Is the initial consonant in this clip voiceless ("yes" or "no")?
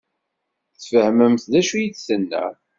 yes